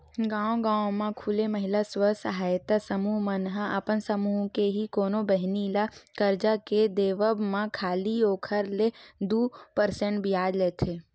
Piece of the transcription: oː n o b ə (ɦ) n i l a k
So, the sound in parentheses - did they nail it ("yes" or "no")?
yes